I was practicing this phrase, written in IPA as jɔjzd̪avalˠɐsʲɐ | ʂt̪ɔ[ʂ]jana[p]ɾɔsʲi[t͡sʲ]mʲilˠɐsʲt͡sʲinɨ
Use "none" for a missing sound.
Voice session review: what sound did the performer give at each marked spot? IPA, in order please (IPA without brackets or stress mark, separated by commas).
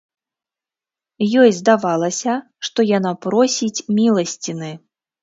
none, p, t͡sʲ